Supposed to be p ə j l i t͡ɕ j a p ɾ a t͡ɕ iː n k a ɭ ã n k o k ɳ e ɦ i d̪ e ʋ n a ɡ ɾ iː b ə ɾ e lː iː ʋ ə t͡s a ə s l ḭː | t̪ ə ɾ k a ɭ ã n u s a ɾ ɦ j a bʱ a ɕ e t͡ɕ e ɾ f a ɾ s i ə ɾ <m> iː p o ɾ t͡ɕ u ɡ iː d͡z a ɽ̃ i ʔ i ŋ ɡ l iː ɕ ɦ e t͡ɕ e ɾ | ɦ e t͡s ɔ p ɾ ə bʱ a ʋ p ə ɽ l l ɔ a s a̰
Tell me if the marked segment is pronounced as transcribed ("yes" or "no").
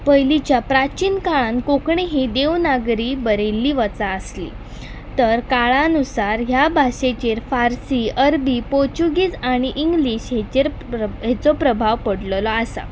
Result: no